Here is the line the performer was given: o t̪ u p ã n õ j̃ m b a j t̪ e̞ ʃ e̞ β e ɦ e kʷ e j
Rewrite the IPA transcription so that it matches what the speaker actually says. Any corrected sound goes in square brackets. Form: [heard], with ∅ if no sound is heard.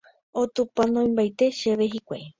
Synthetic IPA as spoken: o t̪ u p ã n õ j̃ m b a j t̪ e̞ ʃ e̞ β e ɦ [i] kʷ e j